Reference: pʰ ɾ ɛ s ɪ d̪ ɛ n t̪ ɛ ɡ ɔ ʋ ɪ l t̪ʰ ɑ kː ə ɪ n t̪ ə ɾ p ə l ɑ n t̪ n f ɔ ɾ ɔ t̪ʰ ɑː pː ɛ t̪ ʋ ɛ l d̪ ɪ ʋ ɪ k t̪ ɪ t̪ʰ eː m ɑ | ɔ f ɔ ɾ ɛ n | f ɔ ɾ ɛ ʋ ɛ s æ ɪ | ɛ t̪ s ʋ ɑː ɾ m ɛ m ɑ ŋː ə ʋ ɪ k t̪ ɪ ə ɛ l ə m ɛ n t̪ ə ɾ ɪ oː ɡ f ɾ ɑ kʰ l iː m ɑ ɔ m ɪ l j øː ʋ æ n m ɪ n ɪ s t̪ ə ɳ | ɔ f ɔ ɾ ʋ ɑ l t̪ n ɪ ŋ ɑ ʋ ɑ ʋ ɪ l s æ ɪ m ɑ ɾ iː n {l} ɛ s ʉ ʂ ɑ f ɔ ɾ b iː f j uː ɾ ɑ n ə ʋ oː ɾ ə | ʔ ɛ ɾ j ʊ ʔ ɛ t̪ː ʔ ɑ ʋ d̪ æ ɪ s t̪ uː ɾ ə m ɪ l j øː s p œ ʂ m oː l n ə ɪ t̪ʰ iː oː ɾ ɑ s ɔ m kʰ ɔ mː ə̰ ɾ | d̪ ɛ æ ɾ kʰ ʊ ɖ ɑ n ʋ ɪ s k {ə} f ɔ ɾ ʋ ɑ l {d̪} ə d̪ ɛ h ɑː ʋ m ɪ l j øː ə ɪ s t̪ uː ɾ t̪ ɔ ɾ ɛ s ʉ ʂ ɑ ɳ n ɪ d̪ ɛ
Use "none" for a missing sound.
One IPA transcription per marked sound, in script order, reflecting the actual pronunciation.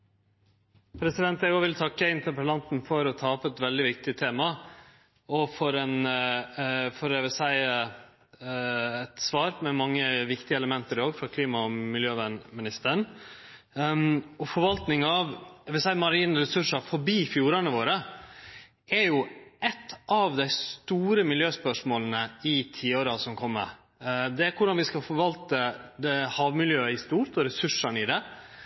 ɾ, ɑ, t̪

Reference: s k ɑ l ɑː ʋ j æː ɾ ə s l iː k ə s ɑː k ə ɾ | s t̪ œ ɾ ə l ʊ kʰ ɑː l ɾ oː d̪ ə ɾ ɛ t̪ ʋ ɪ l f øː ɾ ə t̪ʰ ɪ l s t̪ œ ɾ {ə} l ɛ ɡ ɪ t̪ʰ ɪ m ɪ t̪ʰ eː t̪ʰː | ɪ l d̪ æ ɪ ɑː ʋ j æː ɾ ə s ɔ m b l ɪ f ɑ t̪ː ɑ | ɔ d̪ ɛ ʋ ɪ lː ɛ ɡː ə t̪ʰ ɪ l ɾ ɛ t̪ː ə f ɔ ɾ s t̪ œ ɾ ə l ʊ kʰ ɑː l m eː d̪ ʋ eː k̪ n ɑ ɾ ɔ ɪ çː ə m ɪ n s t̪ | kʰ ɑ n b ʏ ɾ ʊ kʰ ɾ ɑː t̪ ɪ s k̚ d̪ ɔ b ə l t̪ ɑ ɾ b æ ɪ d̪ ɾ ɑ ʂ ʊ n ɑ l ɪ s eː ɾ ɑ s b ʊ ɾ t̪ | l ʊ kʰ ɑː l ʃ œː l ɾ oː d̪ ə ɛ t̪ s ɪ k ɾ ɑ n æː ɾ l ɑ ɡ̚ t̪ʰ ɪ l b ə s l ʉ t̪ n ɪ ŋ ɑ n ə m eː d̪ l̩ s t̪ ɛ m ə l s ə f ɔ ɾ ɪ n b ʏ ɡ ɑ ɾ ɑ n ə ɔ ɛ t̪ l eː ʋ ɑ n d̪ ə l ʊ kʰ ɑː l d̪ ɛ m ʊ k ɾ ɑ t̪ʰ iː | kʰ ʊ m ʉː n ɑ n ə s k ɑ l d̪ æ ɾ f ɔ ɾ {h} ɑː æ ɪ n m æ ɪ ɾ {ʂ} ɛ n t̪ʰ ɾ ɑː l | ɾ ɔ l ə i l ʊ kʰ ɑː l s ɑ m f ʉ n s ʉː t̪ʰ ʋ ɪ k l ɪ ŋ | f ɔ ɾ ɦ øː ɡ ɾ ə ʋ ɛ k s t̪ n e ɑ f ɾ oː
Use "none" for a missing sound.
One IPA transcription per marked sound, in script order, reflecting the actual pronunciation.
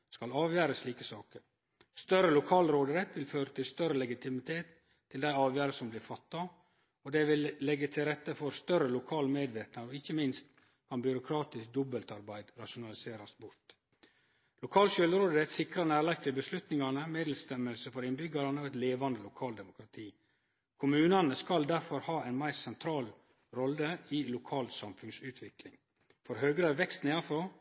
ə, h, s

